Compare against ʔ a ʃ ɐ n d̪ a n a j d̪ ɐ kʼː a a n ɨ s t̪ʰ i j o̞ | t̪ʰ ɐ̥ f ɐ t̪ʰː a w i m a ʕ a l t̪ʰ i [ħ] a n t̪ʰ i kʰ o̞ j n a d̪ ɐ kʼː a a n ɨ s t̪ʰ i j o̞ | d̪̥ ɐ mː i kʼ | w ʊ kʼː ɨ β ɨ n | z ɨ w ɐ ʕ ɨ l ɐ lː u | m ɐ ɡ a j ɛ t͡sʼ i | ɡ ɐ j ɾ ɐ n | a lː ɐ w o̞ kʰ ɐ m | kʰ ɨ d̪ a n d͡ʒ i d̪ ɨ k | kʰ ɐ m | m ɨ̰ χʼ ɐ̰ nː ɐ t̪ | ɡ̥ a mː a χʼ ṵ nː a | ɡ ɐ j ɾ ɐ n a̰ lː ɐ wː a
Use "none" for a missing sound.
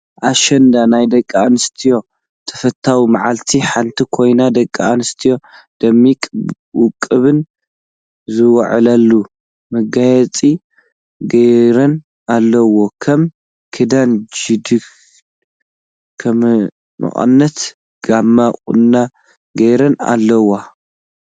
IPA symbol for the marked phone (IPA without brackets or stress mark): ħ